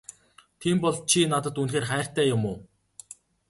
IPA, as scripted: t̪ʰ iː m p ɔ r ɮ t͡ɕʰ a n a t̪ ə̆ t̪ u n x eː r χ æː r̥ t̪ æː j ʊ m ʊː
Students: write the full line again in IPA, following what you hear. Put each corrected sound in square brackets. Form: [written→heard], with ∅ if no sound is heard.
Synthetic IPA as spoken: t̪ʰ iː m p ɔ [r→∅] ɮ t͡ɕʰ [a→i] n a t̪ ə̆ t̪ u n x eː r χ æː r̥ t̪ æː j ʊ m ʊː